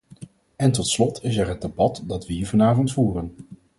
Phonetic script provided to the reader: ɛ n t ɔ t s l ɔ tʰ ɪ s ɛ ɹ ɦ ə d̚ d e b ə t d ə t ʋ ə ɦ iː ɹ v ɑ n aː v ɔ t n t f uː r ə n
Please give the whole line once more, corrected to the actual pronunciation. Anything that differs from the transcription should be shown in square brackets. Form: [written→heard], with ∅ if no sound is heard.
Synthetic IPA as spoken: ɛ n t ɔ t s l ɔ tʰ ɪ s ɛ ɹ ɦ ə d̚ d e b [ə→ɑ] t d [ə→ɑ] t ʋ ə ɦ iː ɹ v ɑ n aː v ɔ [t→∅] n t f uː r ə n